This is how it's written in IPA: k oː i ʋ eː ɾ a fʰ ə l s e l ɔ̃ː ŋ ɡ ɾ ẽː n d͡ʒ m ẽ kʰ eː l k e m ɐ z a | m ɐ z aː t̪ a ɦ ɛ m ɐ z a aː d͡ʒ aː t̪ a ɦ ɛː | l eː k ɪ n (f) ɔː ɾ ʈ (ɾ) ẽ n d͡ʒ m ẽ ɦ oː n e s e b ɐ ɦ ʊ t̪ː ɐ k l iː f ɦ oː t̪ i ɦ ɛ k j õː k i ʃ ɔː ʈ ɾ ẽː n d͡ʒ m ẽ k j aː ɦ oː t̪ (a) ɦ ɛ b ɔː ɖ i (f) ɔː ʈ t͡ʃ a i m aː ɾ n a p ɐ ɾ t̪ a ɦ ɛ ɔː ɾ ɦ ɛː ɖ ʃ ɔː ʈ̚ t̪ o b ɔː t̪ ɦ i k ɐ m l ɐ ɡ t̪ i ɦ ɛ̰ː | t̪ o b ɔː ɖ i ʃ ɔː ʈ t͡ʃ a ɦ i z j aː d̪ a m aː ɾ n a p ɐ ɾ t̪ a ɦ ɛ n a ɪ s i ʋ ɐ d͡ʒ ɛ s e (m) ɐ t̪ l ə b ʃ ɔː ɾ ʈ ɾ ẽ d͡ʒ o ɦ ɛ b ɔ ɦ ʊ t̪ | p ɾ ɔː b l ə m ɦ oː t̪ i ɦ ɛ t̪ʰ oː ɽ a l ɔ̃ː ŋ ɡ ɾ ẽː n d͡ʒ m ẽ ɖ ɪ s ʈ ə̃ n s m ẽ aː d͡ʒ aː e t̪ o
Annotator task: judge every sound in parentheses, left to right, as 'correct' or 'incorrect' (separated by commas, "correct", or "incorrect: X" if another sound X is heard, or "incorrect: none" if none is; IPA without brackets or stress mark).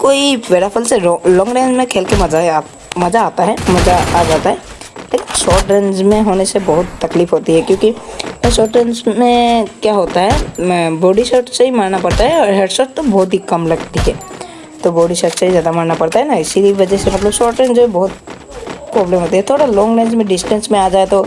incorrect: ʃ, correct, correct, incorrect: ʃ, correct